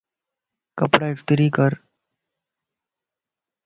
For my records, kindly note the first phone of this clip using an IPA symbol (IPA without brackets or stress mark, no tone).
k